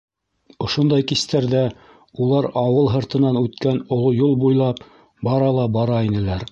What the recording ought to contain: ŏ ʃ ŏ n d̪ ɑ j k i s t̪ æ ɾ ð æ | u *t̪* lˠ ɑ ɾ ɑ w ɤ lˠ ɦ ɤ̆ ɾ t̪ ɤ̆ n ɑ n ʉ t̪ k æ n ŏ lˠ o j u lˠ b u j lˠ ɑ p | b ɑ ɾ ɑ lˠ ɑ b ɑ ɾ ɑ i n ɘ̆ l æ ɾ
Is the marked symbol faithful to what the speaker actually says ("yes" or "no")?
no